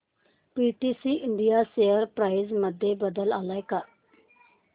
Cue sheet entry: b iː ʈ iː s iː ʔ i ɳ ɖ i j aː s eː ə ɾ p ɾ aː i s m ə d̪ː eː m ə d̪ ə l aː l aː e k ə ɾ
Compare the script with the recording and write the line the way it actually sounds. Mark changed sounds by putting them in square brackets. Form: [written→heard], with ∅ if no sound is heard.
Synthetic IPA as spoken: [b→p] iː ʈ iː s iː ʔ [i→ɪ] ɳ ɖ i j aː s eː ə ɾ p ɾ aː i [s→z] m ə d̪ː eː [m→b] ə d̪ ə l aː l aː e k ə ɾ